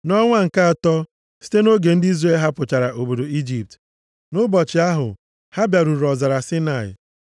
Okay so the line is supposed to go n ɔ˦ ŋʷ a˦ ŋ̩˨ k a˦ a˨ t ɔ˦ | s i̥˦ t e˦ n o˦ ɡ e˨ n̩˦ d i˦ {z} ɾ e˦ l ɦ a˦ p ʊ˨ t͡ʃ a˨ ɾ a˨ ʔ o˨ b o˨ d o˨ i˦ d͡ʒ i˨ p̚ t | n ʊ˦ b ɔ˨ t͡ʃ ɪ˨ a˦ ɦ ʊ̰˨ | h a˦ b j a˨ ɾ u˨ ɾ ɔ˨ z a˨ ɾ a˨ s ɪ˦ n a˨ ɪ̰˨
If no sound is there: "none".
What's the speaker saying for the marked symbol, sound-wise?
z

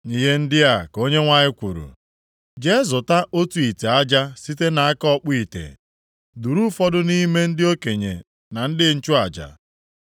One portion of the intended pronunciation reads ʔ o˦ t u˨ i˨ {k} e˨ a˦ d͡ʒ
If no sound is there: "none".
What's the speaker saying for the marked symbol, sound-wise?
t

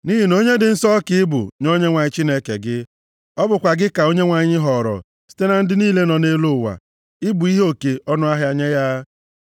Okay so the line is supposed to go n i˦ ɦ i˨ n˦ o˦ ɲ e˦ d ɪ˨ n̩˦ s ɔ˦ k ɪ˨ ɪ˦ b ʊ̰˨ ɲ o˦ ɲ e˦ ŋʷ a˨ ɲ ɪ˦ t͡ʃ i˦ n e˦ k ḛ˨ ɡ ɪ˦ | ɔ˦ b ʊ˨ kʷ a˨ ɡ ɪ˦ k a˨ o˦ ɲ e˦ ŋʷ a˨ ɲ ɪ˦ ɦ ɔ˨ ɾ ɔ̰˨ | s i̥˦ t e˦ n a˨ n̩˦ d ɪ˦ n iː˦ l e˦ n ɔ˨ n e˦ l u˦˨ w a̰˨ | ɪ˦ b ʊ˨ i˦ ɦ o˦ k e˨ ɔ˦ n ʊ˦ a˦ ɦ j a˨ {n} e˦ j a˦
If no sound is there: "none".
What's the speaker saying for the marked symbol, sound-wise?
ɲ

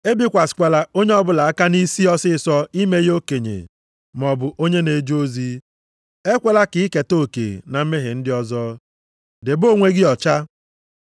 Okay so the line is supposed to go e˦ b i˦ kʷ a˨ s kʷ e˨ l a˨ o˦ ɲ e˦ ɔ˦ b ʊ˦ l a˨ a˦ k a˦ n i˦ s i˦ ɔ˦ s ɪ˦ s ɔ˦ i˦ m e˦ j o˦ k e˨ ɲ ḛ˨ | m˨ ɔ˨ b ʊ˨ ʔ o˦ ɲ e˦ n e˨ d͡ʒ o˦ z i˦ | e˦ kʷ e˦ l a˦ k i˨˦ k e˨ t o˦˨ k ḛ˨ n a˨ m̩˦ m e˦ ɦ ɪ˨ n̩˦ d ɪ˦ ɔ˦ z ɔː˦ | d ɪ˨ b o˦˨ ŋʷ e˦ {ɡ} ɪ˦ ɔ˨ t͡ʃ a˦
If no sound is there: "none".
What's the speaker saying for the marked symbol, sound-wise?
ɡ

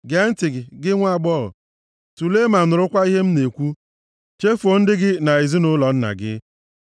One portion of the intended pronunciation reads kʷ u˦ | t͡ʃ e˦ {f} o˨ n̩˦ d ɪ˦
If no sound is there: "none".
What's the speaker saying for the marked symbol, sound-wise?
f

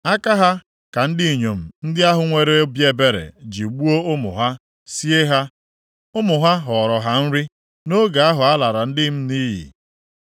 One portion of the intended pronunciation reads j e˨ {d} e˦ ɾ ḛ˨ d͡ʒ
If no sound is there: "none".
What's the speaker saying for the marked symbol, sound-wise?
b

